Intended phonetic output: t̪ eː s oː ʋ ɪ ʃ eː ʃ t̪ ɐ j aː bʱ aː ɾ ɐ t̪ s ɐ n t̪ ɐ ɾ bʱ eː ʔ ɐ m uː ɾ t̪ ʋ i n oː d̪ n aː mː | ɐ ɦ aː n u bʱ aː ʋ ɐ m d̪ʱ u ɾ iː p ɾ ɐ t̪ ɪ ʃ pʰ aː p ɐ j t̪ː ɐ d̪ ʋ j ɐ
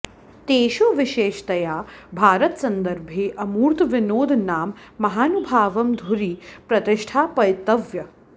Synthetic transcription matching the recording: t̪ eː ʃ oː ʋ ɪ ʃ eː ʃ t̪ ɐ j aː bʱ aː ɾ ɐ t̪ s ɐ n d̪ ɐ ɾ bʱ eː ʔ ɐ m uː ɾ t̪ ʋ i n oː d̪ n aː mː | ɐ ɦ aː n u bʱ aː ʋ ɐ m d̪ʱ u ɾ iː p ɾ ɐ t̪ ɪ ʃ ʈʰ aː p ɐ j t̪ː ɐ ʋ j ɐ

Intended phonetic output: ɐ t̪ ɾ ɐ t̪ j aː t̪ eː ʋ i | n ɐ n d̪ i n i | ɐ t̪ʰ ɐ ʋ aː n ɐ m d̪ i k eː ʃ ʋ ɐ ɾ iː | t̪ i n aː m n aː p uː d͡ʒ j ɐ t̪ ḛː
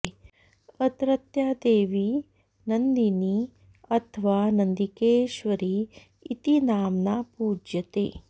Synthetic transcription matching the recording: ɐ t̪ ɾ ɐ t̪ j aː d̪ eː ʋ i | n ɐ n d̪ i n i | ɐ t̪ʰ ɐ ʋ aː n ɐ n d̪ i k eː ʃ ʋ ɐ ɾ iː | t̪ i n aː m n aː p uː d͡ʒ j ɐ t̪ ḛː

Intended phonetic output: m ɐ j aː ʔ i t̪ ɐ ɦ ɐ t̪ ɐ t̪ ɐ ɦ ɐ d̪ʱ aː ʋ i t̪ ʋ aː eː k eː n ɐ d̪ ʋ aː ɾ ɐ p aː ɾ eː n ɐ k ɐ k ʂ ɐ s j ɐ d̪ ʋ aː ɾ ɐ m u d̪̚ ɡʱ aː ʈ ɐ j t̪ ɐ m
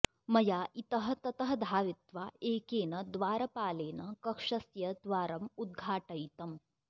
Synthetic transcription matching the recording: m ɐ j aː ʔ i t̪ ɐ ɦ ɐ t̪ ɐ t̪ ɐ ɦ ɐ d̪ʱ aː ʋ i t̪ ʋ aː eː k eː n ɐ d̪ ʋ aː ɾ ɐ p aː l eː n ɐ k ɐ k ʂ ɐ s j ɐ d̪ ʋ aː ɾ ɐ m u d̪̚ ɡʱ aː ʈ ɐ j t̪ ɐ m

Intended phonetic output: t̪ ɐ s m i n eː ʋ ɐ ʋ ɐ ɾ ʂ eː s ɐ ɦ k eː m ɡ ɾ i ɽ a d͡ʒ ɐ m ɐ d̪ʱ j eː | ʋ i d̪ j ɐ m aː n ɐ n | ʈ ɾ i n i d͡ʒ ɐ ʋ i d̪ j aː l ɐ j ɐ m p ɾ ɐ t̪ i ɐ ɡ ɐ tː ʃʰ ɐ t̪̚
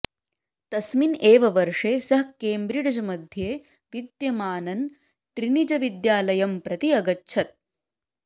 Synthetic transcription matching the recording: t̪ ɐ s m i n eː ʋ ɐ ʋ ɐ ɾ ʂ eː s ɐ ɦ k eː m b ɾ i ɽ ɐ d͡ʒ ɐ m ɐ d̪ʱ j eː | ʋ i d̪ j ɐ m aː n ɐ n | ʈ ɾ i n i d͡ʒ ɐ ʋ i d̪ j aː l ɐ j ɐ m p ɾ ɐ t̪ i ɐ ɡ ɐ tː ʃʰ ɐ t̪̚

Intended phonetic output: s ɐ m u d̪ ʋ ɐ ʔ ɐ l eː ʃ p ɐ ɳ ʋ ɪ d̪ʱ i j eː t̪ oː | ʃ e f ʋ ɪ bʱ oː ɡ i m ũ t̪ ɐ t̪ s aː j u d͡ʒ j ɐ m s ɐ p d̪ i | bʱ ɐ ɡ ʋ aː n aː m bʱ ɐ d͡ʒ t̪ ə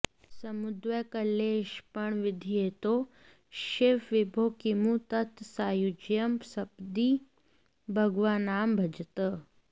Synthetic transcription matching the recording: s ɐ m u d̪ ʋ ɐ k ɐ l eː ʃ p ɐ ɳ ʋ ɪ d̪ʱ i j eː t̪ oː | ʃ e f ʋ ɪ bʱ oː k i m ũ t̪ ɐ t̪ s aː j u d͡ʒ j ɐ m s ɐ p d̪ i | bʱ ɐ ɡ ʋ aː n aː m bʱ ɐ d͡ʒ t̪ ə

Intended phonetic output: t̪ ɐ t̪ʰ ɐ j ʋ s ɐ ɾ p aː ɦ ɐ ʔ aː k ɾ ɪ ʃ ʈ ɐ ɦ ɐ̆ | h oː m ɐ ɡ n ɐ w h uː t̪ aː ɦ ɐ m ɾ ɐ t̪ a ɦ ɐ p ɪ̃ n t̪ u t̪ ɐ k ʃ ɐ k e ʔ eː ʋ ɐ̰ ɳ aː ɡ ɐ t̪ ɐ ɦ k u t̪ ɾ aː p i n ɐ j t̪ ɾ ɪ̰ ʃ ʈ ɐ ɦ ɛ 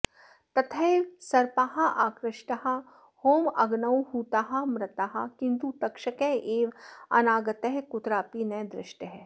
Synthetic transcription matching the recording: t̪ ɐ t̪ʰ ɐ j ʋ s ɐ ɾ p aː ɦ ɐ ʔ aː k ɾ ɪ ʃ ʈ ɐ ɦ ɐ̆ | h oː m ɐ ɡ n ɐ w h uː t̪ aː ɦ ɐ m ɾ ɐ t̪ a ɦ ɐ k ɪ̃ n t̪ u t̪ ɐ k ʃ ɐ k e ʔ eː ʋ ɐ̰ n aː ɡ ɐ t̪ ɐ ɦ k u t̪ ɾ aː p i n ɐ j d̪ ɾ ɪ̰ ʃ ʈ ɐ ɦ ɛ

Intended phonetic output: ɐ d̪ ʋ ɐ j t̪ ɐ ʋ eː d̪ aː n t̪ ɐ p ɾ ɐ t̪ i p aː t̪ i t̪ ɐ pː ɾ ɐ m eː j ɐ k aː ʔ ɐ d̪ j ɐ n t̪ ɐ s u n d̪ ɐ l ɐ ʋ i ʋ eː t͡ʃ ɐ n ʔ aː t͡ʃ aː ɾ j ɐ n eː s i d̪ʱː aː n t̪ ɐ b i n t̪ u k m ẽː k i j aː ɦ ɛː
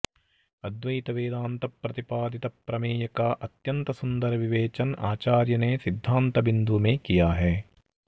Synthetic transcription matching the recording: ɐ d̪ ʋ ɐ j t̪ ɐ ʋ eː d̪ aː n t̪ ɐ p ɾ ɐ t̪ i p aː d̪ i t̪ ɐ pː ɾ ɐ m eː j ɐ k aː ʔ ɐ t̪ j ɐ n t̪ ɐ s u n d̪ ɐ ɾ ɐ ʋ i ʋ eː t͡ʃ ɐ n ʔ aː t͡ʃ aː ɾ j ɐ n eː s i d̪ʱː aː n t̪ ɐ b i n d̪ u m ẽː k i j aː ɦ ɛː

